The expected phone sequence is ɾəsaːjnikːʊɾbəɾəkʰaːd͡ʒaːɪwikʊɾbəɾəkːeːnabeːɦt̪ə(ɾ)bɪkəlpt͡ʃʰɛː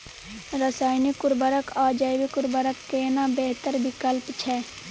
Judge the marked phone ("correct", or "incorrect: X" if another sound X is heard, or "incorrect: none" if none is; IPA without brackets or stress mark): correct